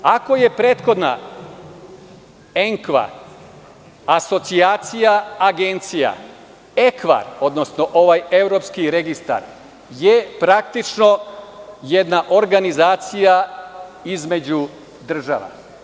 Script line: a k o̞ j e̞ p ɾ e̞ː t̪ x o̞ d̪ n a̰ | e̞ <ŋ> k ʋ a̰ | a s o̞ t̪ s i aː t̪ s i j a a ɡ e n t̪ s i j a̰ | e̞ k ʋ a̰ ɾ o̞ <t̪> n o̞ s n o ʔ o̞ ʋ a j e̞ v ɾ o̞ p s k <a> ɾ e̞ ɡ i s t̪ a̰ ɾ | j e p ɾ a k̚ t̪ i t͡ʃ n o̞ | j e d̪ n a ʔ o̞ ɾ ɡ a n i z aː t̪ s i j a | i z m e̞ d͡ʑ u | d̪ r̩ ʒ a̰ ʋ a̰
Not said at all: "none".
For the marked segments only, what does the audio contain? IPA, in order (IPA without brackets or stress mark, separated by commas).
ŋ, d̪, i